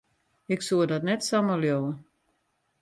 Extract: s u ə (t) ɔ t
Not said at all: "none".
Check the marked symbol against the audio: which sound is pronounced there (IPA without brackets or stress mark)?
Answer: d